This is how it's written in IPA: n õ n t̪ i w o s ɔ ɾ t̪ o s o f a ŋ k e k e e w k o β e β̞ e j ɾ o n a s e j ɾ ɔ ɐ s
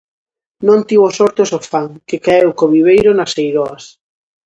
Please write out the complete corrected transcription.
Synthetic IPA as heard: n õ n t̪ i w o s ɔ ɾ t̪ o s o f a ŋ k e k a e w k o β i β̞ e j ɾ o n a s e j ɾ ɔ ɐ s